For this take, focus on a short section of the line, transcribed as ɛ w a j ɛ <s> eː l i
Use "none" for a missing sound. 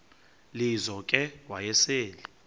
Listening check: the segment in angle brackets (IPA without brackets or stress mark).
s